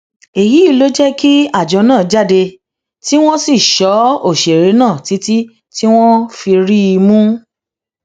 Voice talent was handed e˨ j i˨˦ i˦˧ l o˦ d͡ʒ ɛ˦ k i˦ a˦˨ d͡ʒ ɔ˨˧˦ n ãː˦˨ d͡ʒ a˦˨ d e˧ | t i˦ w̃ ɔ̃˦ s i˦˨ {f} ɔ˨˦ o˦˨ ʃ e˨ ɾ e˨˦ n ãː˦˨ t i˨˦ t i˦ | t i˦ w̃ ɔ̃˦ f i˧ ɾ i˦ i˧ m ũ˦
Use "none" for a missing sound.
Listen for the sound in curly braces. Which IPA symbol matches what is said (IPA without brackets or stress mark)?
ʃ